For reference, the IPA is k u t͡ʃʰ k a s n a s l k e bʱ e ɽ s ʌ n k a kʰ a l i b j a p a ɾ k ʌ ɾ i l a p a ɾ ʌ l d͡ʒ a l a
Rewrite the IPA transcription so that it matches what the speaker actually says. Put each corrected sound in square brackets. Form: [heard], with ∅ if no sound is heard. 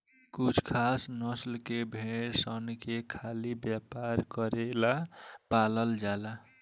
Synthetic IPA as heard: k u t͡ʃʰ [kʰ] a s n [ʌ] s l k e bʱ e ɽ s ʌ n k [e] kʰ a l i b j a p a ɾ k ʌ ɾ [e] l a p a [l] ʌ l d͡ʒ a l a